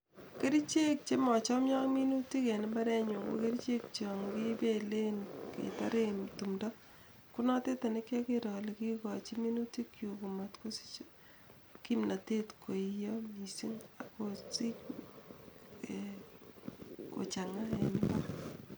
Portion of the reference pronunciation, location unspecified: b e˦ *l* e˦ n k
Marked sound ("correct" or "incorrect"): correct